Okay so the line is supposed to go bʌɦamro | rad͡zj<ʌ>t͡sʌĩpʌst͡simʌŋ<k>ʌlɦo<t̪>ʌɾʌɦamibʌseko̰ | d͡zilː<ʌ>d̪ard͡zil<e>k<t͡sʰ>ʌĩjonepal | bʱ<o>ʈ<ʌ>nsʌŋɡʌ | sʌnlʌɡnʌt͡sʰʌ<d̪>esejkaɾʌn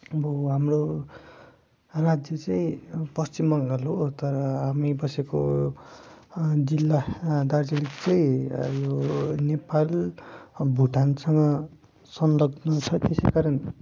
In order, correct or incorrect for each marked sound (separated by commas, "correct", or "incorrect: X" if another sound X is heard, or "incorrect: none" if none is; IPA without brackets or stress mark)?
correct, incorrect: ɡ, correct, incorrect: a, incorrect: i, incorrect: t͡s, incorrect: u, incorrect: a, incorrect: t̪